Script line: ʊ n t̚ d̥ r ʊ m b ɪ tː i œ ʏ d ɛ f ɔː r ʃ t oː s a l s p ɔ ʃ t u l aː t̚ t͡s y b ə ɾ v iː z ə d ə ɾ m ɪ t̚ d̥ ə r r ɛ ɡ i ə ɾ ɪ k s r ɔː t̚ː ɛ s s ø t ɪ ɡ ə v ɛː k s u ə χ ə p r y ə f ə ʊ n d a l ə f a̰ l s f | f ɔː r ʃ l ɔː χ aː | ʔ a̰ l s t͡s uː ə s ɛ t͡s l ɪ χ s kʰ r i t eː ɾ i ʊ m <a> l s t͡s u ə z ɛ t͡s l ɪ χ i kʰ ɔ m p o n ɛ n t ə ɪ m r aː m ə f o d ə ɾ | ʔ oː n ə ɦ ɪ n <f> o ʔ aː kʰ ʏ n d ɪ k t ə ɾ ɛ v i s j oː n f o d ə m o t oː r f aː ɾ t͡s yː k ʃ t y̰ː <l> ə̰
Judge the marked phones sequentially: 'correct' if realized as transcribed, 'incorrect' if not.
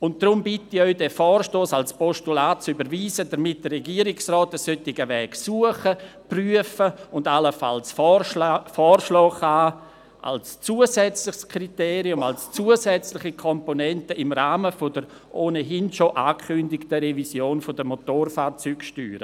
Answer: correct, incorrect: ʃ, incorrect: ɾ

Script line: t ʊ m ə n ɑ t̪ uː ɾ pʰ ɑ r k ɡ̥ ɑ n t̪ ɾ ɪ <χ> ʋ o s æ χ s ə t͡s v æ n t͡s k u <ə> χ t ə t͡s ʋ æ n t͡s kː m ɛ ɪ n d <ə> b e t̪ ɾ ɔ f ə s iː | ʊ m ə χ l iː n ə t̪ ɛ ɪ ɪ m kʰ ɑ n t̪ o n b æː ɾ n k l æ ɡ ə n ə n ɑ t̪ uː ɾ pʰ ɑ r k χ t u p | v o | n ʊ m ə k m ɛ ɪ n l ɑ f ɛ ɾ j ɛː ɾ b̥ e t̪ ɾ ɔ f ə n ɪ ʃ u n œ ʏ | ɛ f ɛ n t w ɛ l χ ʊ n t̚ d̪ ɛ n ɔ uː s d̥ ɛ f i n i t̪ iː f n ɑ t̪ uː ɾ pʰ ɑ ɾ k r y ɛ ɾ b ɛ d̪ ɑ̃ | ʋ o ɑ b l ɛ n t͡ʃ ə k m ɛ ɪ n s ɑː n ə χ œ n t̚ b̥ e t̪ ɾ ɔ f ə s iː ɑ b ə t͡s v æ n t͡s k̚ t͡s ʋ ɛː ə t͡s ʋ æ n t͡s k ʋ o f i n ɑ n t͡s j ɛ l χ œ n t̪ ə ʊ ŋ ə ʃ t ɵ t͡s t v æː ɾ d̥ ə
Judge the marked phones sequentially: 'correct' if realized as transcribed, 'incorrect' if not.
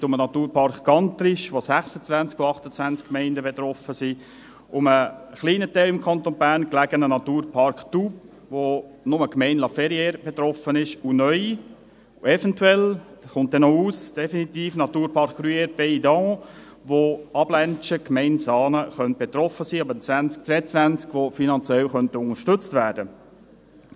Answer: incorrect: ʃ, incorrect: ɑ, correct

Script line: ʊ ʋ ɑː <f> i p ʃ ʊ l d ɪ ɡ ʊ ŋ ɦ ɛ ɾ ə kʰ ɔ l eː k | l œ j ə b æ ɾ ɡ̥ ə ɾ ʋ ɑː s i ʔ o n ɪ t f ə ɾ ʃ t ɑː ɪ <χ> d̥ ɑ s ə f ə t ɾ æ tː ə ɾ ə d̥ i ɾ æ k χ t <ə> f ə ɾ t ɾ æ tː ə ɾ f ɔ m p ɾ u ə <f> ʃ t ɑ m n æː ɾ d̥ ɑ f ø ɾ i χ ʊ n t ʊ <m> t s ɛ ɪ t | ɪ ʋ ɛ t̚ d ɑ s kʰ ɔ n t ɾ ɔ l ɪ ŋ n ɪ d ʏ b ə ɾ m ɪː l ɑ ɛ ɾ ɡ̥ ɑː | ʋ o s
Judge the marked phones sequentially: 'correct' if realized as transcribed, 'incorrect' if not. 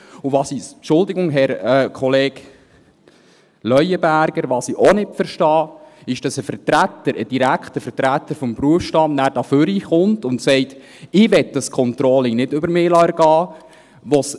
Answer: incorrect: s, incorrect: ʃ, correct, correct, incorrect: n

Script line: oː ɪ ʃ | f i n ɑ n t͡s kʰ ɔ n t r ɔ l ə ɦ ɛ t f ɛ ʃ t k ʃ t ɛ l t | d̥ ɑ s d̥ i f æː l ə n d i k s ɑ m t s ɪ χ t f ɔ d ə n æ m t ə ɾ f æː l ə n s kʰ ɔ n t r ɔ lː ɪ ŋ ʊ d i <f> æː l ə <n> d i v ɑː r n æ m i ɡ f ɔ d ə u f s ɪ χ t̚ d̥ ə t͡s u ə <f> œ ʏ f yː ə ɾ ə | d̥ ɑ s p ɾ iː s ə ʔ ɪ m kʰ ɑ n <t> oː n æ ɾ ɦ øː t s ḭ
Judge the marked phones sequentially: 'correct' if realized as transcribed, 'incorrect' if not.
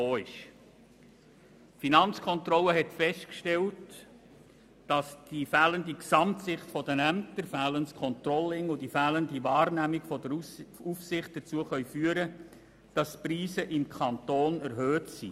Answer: correct, correct, incorrect: χ, correct

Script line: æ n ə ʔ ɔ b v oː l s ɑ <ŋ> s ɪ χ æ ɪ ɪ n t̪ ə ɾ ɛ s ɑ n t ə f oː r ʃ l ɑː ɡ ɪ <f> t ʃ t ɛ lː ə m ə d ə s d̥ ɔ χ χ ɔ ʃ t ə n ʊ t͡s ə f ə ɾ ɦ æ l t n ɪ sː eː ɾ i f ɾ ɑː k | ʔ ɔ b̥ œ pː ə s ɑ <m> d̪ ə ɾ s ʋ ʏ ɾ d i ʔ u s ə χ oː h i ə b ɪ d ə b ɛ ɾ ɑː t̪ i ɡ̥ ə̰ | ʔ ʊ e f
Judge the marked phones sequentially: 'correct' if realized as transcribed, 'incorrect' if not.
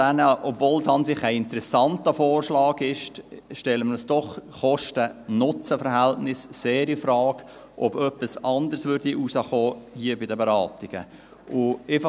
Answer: incorrect: n, incorrect: ʃ, incorrect: n

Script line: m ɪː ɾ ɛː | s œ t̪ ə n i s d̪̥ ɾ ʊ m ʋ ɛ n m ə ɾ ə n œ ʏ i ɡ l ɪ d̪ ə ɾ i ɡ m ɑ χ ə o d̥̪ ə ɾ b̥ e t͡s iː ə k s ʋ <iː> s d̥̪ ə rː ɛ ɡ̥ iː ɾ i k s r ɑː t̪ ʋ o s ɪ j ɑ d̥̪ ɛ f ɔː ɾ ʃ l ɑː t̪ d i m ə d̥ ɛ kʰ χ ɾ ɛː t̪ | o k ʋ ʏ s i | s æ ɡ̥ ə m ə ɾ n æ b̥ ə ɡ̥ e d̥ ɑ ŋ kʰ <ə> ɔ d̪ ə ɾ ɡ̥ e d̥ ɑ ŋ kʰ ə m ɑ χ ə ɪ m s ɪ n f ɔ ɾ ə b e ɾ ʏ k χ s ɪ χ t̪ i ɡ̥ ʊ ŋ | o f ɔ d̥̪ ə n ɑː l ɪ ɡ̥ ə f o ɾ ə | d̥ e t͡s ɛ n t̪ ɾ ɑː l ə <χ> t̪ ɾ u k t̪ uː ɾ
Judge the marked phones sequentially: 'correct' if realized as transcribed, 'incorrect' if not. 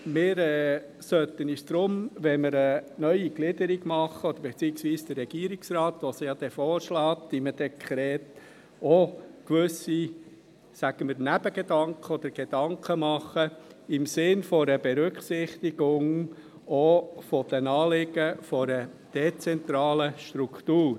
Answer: correct, correct, incorrect: ʃ

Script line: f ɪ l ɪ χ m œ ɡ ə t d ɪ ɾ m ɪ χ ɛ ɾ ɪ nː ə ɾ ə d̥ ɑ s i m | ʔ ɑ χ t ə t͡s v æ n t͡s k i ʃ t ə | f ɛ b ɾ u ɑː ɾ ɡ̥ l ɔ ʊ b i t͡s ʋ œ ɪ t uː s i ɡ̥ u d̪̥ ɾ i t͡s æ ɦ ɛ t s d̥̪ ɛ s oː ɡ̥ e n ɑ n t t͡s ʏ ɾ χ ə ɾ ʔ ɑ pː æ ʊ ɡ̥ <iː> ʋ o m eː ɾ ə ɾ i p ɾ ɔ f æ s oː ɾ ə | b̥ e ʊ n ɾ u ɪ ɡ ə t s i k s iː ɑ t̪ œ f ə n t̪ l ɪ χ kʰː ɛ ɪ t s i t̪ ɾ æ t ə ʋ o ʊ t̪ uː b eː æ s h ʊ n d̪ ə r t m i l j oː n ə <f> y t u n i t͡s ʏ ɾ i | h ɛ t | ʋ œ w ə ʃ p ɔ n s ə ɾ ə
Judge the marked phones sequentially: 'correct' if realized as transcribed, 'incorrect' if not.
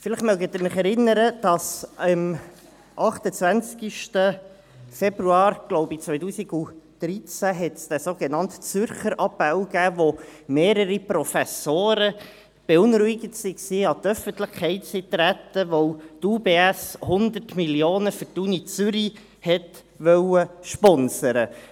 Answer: incorrect: æː, correct

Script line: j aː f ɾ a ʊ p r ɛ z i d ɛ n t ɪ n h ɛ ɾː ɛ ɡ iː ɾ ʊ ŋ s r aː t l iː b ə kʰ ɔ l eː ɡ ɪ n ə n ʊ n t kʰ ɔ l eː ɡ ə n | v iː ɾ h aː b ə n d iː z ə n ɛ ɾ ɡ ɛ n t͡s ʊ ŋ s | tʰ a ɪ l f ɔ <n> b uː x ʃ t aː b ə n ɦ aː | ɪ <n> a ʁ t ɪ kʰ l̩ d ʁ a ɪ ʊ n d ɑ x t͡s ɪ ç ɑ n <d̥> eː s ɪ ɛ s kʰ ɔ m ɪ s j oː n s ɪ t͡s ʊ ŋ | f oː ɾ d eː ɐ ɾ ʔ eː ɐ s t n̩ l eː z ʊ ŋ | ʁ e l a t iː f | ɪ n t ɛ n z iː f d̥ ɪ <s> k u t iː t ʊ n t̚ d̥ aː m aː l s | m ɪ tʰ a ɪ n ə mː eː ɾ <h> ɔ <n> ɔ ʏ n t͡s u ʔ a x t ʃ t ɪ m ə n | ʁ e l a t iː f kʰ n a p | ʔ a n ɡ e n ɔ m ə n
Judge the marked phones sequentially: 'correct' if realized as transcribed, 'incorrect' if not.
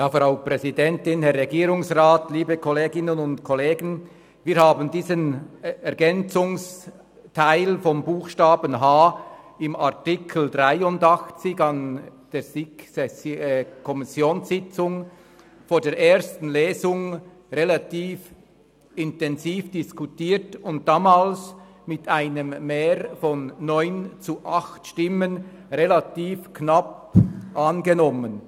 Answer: incorrect: m, incorrect: m, correct, correct, incorrect: f, incorrect: nː

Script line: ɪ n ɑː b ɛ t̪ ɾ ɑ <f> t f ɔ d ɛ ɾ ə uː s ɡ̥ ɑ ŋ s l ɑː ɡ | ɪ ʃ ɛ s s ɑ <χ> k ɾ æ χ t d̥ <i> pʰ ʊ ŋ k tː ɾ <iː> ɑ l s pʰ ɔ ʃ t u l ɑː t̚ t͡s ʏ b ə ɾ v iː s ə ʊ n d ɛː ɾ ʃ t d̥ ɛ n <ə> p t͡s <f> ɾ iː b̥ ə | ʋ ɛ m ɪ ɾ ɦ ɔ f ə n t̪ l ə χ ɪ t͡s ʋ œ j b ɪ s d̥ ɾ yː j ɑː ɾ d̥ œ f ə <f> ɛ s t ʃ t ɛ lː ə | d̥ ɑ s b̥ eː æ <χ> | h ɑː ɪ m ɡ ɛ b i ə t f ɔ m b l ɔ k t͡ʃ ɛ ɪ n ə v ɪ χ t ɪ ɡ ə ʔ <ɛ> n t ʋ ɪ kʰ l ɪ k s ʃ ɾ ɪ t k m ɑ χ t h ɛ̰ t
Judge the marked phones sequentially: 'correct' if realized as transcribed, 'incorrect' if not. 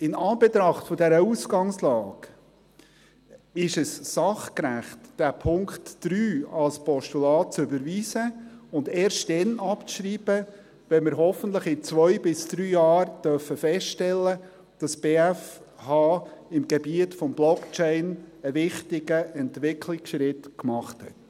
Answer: incorrect: χ, correct, incorrect: æ, incorrect: yː, incorrect: ɑ, incorrect: ʃ, correct, incorrect: f, correct

